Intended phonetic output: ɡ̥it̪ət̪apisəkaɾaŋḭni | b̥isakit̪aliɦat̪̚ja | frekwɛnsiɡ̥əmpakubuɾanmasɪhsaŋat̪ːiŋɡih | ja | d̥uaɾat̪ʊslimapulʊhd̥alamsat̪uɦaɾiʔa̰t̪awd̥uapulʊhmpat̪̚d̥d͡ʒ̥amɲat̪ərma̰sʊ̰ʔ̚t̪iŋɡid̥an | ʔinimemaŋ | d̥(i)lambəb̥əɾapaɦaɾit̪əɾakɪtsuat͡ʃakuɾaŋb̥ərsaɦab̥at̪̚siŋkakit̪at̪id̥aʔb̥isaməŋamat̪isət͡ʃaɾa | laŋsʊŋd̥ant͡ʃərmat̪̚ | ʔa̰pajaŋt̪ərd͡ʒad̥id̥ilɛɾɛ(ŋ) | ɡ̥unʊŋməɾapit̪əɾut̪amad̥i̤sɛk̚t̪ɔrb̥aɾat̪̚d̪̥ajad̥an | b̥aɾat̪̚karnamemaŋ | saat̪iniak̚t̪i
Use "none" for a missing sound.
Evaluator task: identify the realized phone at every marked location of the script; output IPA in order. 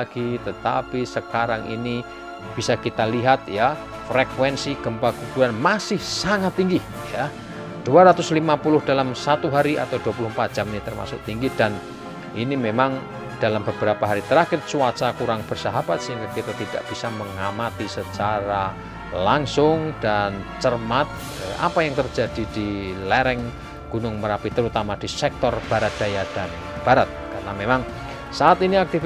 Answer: a, ŋ

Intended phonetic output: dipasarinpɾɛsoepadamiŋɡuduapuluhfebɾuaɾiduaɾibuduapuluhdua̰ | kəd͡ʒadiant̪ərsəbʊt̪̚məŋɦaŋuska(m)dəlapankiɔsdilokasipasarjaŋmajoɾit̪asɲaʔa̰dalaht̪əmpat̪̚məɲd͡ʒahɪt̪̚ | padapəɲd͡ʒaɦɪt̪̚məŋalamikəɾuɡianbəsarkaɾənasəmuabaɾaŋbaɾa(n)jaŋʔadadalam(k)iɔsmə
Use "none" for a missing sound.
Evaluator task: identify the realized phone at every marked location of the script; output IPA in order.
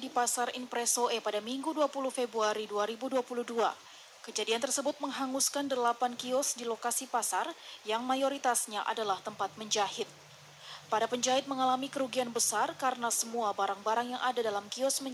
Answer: n, ŋ, k

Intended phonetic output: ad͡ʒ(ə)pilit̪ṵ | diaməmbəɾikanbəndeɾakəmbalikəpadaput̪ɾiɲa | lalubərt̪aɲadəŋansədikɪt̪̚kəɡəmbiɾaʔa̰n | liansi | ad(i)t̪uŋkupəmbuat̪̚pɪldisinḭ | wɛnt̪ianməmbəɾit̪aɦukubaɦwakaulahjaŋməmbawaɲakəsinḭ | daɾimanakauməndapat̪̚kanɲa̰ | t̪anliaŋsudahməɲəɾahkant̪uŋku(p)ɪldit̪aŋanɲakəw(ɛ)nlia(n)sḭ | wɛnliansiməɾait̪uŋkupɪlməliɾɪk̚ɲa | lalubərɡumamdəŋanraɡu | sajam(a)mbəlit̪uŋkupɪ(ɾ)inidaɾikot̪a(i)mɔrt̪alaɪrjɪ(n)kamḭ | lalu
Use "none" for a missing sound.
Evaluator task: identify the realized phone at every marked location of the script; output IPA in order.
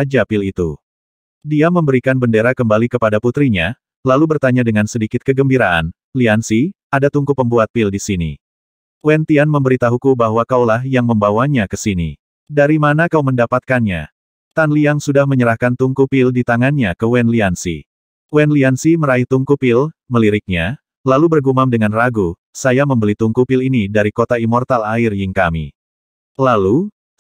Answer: a, a, p, ɛ, n, ə, l, i, ŋ

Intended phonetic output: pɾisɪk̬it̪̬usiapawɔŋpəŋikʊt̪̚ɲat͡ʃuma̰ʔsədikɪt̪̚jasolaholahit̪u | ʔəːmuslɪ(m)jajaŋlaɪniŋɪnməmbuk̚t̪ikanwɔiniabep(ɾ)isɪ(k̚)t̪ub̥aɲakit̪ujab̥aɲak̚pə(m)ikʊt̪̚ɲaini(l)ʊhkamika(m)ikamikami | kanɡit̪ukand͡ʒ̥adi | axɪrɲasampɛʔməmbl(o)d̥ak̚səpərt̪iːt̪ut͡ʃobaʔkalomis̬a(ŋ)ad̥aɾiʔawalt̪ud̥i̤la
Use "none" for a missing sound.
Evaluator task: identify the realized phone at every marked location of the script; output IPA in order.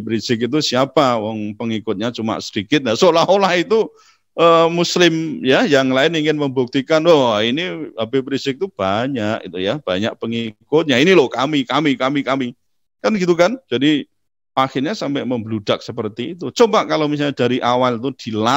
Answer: m, ɾ, k̚, ŋ, l, m, u, ɲ

